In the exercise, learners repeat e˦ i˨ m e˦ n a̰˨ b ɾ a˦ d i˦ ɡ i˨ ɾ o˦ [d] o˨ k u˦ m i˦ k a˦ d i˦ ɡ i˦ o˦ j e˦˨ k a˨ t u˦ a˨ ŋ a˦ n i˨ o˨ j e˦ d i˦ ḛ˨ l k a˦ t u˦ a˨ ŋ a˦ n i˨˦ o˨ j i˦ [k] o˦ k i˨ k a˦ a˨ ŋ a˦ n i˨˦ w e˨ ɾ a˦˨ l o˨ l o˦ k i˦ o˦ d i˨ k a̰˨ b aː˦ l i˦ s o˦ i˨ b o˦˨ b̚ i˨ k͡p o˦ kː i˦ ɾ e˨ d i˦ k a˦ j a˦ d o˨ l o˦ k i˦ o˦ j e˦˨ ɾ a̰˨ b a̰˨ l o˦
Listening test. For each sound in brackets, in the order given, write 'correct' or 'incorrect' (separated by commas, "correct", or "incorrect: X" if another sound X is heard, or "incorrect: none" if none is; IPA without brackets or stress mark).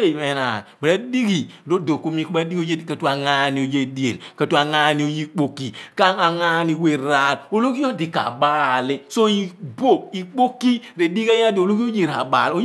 correct, incorrect: k͡p